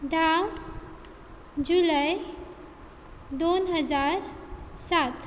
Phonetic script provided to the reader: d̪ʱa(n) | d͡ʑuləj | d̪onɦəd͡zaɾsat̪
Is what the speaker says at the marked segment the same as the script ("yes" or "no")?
no